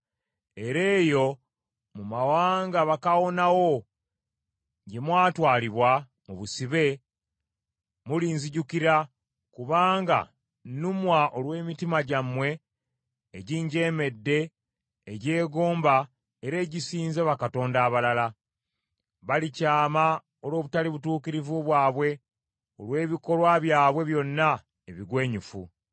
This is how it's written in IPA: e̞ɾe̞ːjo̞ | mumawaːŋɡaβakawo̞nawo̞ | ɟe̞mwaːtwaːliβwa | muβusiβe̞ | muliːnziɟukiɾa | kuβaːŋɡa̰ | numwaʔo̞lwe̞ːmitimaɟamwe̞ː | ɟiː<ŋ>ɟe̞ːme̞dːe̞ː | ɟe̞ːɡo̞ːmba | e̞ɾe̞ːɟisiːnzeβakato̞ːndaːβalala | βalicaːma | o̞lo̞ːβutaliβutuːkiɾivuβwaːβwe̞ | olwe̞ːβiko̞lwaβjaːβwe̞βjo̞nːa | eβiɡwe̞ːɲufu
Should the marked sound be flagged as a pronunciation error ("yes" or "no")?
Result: yes